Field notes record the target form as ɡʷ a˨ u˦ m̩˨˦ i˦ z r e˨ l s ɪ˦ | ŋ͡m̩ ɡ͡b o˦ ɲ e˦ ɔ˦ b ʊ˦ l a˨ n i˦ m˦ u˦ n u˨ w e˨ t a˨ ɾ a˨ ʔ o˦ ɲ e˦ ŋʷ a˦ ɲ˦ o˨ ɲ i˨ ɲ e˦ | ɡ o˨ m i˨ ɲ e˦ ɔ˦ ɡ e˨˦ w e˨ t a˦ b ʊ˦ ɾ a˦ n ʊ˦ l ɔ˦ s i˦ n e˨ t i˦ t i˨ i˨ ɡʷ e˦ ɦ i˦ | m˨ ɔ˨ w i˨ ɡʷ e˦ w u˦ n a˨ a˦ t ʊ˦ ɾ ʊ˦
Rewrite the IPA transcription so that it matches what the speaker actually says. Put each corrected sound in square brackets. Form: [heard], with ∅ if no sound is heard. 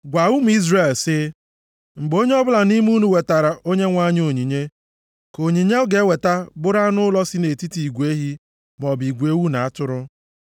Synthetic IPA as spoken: ɡʷ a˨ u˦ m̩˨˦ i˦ z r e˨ l s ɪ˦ | ŋ͡m̩ ɡ͡b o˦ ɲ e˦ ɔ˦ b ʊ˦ l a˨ n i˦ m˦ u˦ n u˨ w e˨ t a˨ ɾ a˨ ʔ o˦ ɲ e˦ ŋʷ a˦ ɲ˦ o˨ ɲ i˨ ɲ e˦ | [k] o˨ [ɲ] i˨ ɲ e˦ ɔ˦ ɡ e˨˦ w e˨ t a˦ b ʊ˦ ɾ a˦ n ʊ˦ l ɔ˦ s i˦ n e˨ t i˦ t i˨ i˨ ɡʷ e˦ ɦ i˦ | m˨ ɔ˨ [b] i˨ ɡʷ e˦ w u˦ n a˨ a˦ t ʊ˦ ɾ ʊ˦